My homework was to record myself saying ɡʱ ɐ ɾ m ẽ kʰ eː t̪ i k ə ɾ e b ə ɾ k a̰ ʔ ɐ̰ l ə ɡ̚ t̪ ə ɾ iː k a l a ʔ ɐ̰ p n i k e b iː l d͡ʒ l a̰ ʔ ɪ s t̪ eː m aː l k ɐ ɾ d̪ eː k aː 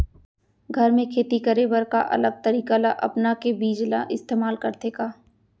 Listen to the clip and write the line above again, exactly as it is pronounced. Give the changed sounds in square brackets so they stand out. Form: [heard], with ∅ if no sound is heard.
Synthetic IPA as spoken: ɡʱ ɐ ɾ m ẽ kʰ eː t̪ i k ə ɾ e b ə ɾ k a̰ ʔ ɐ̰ l ə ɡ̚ t̪ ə ɾ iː k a l a ʔ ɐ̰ p n [a] k e b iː [∅] d͡ʒ l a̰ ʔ ɪ s t̪ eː m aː l k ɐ ɾ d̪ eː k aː